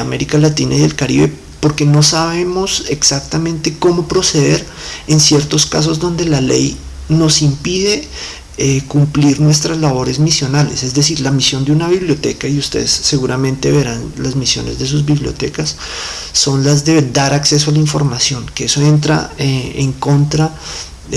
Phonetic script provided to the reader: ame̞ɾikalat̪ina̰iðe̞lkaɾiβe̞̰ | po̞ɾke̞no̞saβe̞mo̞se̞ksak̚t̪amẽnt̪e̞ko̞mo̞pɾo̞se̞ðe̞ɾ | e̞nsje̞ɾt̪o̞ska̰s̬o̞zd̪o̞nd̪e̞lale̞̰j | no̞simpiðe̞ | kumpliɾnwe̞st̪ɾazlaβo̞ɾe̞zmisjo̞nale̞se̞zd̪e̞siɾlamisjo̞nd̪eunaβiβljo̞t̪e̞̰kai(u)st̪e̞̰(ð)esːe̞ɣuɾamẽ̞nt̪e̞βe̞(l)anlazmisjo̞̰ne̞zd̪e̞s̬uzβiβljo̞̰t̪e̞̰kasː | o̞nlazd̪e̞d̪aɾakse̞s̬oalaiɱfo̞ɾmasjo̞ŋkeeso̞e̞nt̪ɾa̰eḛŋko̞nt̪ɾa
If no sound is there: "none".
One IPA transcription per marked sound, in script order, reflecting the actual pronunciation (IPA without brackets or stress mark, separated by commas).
u, ð, ɾ